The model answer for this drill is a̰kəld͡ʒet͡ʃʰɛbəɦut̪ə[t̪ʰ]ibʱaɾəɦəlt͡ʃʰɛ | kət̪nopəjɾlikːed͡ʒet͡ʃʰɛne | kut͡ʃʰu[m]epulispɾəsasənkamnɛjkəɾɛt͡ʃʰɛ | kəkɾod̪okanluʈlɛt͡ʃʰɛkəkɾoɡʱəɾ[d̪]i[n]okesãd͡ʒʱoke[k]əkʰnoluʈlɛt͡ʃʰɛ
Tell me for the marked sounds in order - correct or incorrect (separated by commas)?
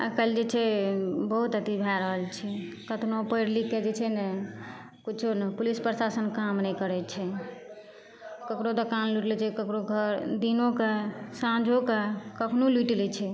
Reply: incorrect, incorrect, correct, correct, correct